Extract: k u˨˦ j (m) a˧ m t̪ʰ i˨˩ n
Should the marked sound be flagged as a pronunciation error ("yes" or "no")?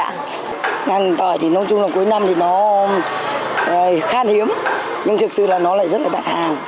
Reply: yes